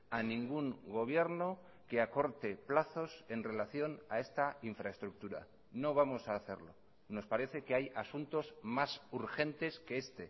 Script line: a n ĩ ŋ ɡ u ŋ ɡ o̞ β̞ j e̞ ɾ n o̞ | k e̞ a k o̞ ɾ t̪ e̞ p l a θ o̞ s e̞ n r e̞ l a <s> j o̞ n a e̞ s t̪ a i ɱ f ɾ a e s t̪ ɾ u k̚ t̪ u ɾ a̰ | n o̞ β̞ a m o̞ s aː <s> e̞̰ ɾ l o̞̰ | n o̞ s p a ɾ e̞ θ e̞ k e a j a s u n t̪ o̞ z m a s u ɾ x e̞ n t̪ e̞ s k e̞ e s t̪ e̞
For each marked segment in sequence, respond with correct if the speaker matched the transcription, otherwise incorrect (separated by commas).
incorrect, incorrect